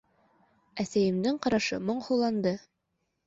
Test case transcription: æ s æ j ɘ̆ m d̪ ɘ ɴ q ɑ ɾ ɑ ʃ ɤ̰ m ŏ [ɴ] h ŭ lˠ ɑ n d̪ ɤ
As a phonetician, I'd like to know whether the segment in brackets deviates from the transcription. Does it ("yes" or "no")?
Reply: no